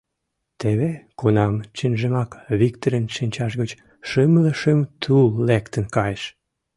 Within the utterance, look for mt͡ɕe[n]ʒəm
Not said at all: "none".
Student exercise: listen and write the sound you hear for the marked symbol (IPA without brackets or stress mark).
n